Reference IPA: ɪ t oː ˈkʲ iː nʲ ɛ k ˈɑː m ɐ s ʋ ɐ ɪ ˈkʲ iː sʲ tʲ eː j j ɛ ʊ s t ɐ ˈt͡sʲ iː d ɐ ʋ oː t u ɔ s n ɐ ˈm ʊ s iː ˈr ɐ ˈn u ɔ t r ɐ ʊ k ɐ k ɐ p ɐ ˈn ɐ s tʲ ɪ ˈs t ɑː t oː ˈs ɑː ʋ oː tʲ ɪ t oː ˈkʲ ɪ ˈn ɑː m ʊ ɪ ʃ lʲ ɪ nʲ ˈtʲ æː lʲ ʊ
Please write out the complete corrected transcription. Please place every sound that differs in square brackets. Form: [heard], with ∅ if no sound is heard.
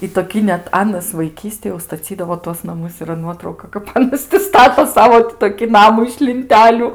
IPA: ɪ t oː ˈkʲ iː nʲ ɛ [t] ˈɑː [n] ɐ s ʋ ɐ ɪ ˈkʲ iː sʲ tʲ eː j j ɛ ʊ s t ɐ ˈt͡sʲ iː d ɐ ʋ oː t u ɔ s n ɐ ˈm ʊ s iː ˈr ɐ ˈn u ɔ t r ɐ ʊ k ɐ k ɐ p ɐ ˈn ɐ s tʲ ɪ ˈs t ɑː t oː ˈs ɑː ʋ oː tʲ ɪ t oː ˈkʲ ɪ ˈn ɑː m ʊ ɪ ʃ lʲ ɪ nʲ ˈtʲ æː lʲ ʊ